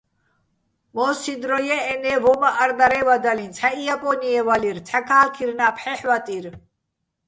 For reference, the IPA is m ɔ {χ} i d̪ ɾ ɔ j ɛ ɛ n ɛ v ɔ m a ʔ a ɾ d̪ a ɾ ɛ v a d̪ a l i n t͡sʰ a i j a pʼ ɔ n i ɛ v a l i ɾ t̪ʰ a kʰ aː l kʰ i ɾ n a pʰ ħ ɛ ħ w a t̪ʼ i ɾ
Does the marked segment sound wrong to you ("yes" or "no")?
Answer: yes